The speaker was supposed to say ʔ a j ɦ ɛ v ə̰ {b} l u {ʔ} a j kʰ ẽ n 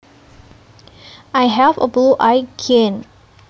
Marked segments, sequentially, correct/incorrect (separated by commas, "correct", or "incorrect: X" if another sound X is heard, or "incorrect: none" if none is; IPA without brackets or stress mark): correct, correct